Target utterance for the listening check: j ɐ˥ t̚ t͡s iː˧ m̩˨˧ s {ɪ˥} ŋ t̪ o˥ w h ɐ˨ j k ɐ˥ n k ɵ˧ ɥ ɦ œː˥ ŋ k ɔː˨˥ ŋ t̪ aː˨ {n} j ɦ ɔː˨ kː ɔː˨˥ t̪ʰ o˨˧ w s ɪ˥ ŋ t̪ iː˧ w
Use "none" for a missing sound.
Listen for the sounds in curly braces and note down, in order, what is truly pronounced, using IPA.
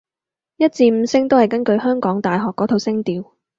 ɪ˥, none

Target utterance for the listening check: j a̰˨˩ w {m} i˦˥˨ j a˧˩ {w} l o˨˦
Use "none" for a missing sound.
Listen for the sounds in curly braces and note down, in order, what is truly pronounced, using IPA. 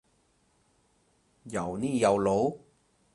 n, w

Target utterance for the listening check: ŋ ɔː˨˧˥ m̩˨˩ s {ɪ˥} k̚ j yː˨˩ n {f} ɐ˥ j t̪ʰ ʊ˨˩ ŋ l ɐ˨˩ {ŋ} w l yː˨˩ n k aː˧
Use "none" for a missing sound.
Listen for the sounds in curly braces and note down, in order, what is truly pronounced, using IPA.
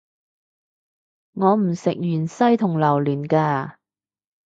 ɪ˨, s, none

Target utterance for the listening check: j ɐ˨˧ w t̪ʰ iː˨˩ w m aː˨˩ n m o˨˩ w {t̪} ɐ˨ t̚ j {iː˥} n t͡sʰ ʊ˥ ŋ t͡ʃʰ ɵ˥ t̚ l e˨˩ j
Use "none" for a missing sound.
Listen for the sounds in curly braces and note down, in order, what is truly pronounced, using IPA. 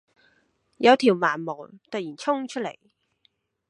t̪, iː˨˩

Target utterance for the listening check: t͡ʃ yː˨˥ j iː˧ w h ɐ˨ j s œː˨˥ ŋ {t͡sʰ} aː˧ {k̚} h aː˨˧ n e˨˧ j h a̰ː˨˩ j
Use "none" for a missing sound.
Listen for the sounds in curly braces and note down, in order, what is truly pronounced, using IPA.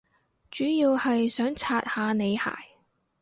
t͡sʰ, t̚

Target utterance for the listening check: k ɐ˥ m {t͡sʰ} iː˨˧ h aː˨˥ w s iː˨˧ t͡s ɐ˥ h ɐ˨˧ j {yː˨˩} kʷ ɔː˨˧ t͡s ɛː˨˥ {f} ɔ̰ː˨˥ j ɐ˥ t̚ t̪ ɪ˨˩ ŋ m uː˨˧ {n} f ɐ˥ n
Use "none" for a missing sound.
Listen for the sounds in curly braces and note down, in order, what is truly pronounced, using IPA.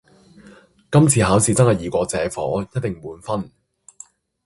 t͡sʰ, iː˨˩, f, n

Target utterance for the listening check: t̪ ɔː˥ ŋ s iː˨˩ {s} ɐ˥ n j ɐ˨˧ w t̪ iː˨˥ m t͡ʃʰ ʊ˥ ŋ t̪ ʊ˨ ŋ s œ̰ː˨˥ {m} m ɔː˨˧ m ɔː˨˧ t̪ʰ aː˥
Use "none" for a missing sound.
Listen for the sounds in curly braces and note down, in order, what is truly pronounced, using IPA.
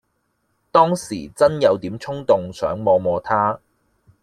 t͡s, ŋ

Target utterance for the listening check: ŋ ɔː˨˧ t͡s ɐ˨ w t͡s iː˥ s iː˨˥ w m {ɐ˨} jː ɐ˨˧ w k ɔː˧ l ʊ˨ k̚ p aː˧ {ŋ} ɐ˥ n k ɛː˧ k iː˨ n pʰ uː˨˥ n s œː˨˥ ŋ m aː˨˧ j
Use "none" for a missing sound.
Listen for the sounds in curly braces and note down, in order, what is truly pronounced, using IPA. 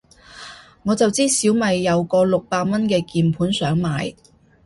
ɐ˨, m

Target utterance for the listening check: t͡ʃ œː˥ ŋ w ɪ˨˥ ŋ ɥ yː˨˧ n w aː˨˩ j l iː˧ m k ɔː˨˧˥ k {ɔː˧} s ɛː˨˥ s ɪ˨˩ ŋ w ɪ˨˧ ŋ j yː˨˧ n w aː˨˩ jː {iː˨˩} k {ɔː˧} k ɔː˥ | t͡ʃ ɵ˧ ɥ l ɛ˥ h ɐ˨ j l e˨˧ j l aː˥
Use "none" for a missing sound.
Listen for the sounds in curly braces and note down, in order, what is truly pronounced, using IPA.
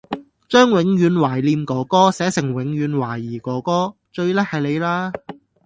ɔː˥, iː˨˩, ɔː˨˥

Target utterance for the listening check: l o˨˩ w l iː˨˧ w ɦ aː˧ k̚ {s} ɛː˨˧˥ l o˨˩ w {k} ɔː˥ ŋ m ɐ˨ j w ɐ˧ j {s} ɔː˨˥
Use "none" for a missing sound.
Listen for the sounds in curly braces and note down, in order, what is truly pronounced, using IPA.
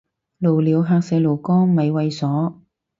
s, k, s

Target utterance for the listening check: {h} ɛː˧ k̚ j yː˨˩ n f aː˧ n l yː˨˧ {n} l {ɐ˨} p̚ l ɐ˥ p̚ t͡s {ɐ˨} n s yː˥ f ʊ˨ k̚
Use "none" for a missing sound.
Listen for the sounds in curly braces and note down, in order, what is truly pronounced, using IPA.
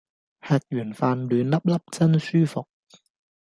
h, n, ɐ˥, ɐ˥

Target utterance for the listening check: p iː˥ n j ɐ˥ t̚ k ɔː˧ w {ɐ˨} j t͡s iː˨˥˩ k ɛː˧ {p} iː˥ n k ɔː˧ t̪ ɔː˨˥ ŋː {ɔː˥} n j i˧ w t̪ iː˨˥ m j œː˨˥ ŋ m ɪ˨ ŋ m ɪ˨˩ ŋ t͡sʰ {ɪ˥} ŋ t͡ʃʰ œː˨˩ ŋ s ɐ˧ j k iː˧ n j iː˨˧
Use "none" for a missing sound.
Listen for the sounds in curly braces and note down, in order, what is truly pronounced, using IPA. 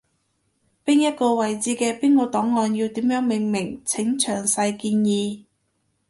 ɐ˨, p, ɔː˧, ɪ˨˥

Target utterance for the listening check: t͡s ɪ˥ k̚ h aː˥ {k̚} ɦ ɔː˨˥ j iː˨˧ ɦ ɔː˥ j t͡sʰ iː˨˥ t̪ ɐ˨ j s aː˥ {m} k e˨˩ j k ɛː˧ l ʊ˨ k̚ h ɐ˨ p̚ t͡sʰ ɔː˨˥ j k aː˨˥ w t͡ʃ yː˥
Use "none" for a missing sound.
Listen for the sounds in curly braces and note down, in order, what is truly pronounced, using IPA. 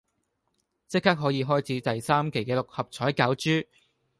k̚, m

